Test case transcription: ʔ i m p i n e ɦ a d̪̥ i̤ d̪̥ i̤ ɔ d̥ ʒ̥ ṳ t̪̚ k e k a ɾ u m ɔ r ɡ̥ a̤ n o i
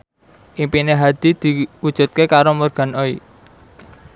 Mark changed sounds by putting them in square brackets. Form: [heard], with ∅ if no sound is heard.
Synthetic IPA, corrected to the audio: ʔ i m p i n e ɦ a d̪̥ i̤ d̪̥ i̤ [u] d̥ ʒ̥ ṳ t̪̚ k e k a ɾ [o] m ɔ r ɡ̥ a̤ n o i